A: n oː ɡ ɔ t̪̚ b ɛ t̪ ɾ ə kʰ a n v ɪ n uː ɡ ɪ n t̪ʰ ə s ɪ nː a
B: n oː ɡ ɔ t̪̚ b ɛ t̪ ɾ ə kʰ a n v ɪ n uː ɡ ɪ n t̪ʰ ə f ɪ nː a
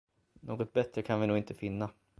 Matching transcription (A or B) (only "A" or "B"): B